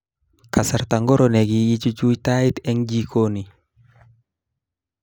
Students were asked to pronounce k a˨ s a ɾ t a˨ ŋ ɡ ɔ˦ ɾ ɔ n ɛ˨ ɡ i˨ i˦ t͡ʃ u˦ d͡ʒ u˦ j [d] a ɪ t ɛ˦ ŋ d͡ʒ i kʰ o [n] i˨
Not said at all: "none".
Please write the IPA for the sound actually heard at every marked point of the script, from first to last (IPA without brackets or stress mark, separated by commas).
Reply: t, n